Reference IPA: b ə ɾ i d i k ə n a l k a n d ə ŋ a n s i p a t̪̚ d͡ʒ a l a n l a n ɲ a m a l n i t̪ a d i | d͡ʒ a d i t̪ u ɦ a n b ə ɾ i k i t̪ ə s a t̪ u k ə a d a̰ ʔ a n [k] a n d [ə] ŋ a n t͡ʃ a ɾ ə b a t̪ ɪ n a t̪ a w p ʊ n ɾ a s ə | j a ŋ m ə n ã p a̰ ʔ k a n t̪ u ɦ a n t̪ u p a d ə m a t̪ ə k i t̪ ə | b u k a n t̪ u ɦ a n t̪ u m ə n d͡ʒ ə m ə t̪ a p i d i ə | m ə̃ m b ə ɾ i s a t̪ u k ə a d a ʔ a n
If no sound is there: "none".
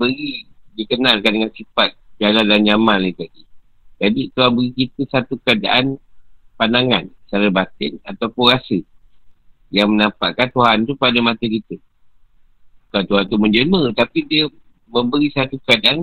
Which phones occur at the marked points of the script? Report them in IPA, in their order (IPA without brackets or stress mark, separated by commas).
p, a